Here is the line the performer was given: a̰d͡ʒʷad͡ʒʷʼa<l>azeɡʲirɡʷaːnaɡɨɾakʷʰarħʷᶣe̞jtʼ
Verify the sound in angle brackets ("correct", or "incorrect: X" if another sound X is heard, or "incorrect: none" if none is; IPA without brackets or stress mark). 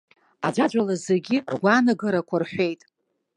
correct